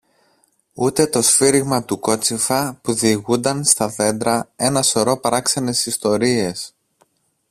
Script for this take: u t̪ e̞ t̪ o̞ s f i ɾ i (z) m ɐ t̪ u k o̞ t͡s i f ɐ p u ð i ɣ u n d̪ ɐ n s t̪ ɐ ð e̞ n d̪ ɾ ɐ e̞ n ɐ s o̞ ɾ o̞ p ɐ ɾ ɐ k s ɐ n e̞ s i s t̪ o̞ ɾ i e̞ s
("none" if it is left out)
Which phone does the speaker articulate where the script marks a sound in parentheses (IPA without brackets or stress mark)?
ɣ